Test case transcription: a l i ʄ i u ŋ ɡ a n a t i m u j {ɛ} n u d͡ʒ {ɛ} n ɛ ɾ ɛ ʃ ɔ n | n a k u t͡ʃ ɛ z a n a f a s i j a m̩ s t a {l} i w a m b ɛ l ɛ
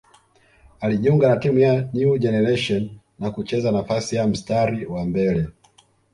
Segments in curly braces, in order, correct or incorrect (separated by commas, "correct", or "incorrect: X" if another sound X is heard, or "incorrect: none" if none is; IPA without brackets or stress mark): incorrect: a, correct, incorrect: ɾ